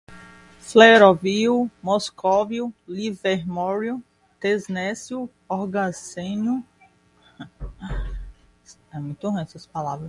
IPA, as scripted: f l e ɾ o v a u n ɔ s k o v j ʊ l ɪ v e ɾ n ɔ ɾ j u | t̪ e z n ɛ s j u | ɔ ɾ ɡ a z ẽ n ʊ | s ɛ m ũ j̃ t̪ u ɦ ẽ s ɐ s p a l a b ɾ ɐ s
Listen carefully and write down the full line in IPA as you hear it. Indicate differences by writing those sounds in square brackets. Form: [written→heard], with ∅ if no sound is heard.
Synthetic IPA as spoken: f l e ɾ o v [a→i] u [n→m] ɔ s k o v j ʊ l [ɪ→i] v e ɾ [n→m] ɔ ɾ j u | t̪ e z n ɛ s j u | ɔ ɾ ɡ a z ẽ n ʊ | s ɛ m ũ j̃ t̪ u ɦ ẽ s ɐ s p a l a [b→v] ɾ ɐ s